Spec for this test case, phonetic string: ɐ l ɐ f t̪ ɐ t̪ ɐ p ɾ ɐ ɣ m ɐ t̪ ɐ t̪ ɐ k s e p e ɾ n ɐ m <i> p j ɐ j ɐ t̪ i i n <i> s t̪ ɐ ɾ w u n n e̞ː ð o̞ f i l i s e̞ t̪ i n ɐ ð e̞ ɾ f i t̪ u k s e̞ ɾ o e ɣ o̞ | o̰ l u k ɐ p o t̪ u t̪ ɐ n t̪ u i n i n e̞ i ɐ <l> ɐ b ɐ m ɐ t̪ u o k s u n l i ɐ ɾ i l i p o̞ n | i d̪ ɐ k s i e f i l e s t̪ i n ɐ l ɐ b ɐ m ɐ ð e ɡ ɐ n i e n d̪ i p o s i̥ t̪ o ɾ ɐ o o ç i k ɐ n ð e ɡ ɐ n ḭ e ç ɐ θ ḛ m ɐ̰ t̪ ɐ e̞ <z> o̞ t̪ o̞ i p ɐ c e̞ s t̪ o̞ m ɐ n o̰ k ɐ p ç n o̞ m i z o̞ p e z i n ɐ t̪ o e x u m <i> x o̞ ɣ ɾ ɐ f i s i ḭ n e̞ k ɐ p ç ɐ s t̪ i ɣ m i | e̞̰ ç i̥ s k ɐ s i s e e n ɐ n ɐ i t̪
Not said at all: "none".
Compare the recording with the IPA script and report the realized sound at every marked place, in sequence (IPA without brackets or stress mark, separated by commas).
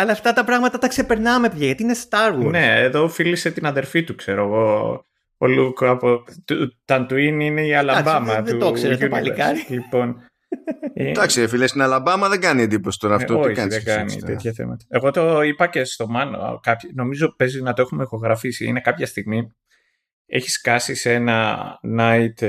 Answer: e, e, l, ɣ, e